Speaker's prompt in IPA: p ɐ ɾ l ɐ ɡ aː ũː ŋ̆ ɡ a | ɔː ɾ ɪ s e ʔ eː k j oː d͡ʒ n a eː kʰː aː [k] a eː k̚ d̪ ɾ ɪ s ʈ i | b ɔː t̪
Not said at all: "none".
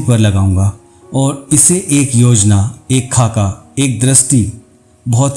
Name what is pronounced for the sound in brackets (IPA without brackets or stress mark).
k